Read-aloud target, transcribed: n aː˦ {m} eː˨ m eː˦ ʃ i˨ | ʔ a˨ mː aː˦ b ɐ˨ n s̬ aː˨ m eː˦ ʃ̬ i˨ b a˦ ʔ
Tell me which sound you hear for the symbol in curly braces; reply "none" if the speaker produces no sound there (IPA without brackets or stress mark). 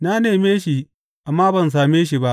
n